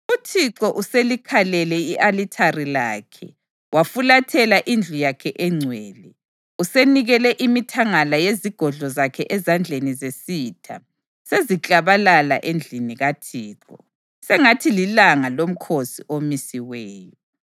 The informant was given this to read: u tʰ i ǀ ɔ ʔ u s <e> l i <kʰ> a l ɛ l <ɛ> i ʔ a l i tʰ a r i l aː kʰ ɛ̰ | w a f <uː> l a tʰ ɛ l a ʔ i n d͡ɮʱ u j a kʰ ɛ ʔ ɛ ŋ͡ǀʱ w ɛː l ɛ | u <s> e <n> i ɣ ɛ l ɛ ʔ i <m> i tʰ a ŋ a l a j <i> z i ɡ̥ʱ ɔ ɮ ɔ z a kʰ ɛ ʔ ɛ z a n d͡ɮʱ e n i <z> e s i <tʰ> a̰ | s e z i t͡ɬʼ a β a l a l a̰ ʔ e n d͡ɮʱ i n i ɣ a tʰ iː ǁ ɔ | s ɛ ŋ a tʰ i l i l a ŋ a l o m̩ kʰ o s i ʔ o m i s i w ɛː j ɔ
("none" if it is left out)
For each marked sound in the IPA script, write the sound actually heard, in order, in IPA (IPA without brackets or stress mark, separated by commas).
e, kʰ, ɛ, u, s, n, m, e, z, tʰ